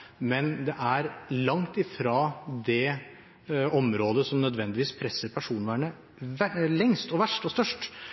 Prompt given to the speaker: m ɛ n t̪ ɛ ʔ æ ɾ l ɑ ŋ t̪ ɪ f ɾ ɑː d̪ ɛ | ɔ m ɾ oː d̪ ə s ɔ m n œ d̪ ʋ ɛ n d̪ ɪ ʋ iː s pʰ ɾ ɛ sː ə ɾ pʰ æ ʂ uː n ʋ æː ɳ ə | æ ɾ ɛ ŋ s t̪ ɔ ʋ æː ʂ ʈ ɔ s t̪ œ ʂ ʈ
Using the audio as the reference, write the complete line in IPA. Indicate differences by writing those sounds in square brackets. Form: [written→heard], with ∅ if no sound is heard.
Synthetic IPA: m ɛ n [t̪→d̪] ɛ ʔ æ ɾ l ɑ ŋ t̪ ɪ f ɾ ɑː d̪ ɛ | ɔ m ɾ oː d̪ ə s ɔ m n œ d̪ ʋ ɛ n d̪ ɪ ʋ iː s pʰ ɾ ɛ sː ə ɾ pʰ æ ʂ uː n ʋ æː ɳ ə | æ [ɾ→l] ɛ ŋ s t̪ ɔ ʋ [æː→æ] ʂ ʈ ɔ s t̪ œ ʂ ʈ

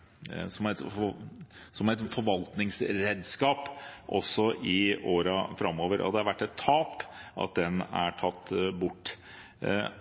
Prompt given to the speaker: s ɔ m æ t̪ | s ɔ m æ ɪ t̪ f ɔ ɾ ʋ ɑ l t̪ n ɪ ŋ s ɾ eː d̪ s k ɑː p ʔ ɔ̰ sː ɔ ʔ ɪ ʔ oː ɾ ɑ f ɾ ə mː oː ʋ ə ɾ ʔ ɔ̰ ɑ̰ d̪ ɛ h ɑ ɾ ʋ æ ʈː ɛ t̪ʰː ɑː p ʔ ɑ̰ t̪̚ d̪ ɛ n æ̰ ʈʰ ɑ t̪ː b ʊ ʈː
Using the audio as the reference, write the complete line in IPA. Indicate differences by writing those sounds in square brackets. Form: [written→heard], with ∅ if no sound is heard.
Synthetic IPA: s ɔ m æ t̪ | s ɔ m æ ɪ t̪ f ɔ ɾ ʋ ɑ l t̪ n ɪ ŋ s ɾ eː d̪ s k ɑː p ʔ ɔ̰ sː ɔ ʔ ɪ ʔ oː ɾ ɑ f ɾ [ə→ɑ] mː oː ʋ ə ɾ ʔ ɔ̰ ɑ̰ d̪ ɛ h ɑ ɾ ʋ æ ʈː ɛ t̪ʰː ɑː p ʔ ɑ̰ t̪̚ d̪ ɛ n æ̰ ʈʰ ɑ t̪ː b ʊ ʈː

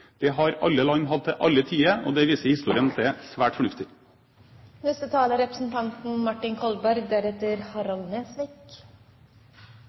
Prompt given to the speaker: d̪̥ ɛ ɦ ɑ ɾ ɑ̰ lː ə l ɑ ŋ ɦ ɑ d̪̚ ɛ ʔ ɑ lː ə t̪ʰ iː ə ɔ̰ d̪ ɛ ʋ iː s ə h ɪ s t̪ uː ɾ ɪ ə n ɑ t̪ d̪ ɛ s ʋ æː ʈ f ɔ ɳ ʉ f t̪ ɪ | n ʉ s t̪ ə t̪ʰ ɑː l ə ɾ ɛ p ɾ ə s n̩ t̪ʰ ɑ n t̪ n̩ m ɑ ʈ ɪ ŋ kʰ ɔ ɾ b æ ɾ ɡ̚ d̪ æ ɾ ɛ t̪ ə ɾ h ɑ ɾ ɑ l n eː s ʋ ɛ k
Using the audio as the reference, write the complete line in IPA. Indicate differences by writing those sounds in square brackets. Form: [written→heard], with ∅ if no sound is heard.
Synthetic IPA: d̪̥ ɛ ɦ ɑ ɾ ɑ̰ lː ə l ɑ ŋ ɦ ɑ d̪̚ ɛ ʔ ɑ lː ə t̪ʰ iː ə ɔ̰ d̪ ɛ ʋ iː s ə h ɪ s t̪ uː ɾ ɪ ə n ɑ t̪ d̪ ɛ s ʋ æː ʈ f ɔ ɳ ʉ f t̪ ɪ | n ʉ s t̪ ə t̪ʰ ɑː l ə ɾ ɛ p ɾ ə s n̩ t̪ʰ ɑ n t̪ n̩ m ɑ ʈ ɪ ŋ kʰ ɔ [ɾ→l] b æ ɾ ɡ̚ d̪ æ ɾ ɛ t̪ ə ɾ h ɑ ɾ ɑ l n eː s ʋ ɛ k

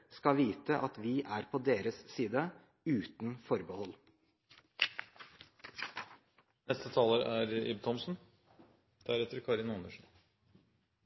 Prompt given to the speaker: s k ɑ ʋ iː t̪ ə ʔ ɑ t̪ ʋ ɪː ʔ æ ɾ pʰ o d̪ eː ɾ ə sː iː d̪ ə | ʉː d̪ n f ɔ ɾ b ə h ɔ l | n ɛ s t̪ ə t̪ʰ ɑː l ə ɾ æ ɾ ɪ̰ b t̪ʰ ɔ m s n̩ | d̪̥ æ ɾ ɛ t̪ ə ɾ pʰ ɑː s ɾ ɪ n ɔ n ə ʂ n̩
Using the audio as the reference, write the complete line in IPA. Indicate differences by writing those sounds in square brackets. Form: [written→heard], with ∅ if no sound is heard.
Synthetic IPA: s k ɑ ʋ iː t̪ ə ʔ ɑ t̪ ʋ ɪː ʔ æ ɾ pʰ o d̪ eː ɾ ə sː iː d̪ ə | ʉː [d̪→t̪] n f ɔ ɾ b ə h ɔ l | n ɛ s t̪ ə t̪ʰ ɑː l ə ɾ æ ɾ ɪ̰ b t̪ʰ ɔ m s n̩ | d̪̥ æ ɾ ɛ t̪ ə ɾ [pʰ→kʰ] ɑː [s→∅] ɾ ɪ n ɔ n ə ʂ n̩

